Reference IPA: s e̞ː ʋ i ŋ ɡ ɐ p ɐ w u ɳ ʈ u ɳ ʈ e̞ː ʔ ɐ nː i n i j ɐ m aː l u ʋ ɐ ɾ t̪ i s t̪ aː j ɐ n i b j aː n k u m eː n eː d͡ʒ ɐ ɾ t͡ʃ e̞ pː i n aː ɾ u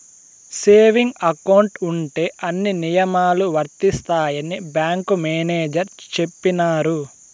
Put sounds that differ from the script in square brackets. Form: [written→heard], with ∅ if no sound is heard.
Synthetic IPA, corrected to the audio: s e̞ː ʋ i ŋ ɡ ɐ [p→k] ɐ w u ɳ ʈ u ɳ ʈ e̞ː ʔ ɐ nː i n i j ɐ m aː l u ʋ ɐ ɾ t̪ i s t̪ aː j ɐ n i b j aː [n→ŋ] k u m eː n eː d͡ʒ ɐ ɾ t͡ʃ e̞ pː i n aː ɾ u